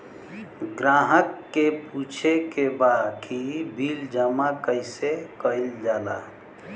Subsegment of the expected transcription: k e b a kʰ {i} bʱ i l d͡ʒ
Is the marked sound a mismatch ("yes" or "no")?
no